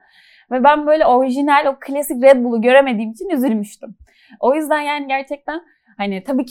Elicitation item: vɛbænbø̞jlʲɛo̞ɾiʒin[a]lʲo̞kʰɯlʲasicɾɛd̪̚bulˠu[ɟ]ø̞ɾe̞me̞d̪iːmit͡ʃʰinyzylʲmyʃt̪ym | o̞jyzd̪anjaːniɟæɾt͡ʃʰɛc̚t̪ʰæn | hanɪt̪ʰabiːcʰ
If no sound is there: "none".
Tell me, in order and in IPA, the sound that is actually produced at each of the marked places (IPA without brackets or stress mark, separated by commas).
æ, ɟ